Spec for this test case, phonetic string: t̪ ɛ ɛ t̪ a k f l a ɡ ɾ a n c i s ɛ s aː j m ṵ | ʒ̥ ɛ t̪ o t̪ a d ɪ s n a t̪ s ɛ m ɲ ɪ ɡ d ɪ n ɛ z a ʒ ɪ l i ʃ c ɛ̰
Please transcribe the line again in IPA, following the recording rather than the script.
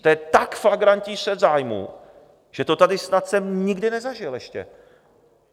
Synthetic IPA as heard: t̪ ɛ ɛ t̪ a k f l a ɡ ɾ a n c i s ɛ z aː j m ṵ | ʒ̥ ɛ t̪ o t̪ a d ɪ s n a t̪ s ɛ m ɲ ɪ ɡ d ɪ n ɛ z a ʒ ɪ l ɛ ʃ c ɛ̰

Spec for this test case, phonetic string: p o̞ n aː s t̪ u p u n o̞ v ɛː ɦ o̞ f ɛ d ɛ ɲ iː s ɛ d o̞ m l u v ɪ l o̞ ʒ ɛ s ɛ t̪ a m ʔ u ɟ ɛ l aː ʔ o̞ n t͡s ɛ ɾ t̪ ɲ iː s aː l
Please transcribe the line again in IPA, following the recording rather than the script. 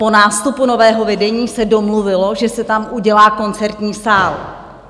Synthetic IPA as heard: p o̞ n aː s t̪ u p u n o̞ v ɛː ɦ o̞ v ɛ d ɛ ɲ iː s ɛ d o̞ m l u v ɪ l o̞ ʒ ɛ s ɛ t̪ a m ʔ u ɟ ɛ l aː k o̞ n t͡s ɛ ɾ t̪ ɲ iː s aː l

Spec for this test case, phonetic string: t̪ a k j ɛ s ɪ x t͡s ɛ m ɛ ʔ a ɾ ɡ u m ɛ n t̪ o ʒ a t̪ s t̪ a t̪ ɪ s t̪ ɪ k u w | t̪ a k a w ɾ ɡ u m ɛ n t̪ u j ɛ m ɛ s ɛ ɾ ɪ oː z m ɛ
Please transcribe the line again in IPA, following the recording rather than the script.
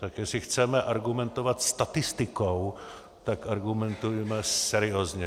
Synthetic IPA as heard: t̪ a k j ɛ s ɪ x t͡s ɛ m ɛ ʔ a ɾ ɡ u m ɛ n t̪ o v a t̪ s t̪ a t̪ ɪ s t̪ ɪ k o w | t̪ a k a ɾ ɡ u m ɛ n t̪ u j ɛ m ɛ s ɛ ɾ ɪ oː z ɲ ɛ

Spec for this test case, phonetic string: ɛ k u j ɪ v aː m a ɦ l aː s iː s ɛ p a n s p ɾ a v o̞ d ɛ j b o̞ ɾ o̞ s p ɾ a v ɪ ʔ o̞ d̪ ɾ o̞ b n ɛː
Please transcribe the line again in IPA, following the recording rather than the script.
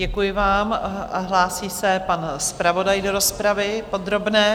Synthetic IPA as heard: ɛ k u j ɪ v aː m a ɦ l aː s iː s ɛ p a n s p ɾ a v o̞ d a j d o̞ ɾ o̞ s p ɾ a v ɪ p o̞ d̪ ɾ o̞ b n ɛː

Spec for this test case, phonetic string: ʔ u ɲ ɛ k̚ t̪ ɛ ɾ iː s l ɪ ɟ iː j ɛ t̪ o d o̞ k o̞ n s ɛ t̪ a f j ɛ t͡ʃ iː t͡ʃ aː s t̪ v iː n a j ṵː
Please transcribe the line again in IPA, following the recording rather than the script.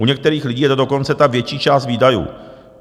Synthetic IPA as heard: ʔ u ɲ ɛ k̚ t̪ ɛ ɾ iː x l ɪ ɟ iː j ɛ t̪ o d o̞ k o̞ n t͡s ɛ t̪ a v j ɛ t͡ʃ iː t͡ʃ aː s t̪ v iː d a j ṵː

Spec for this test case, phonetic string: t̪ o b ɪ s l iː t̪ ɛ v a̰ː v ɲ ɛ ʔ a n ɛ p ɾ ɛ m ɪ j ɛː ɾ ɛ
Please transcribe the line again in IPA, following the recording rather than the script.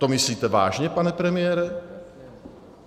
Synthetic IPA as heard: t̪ o m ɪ s l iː t̪ ɛ v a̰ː ʒ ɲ ɛ p a n ɛ p ɾ ɛ m ɪ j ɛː ɾ ɛ

